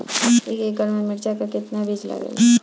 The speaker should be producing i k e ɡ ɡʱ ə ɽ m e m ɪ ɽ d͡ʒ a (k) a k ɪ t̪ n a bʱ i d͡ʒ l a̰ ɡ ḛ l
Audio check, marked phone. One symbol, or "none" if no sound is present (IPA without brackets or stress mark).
k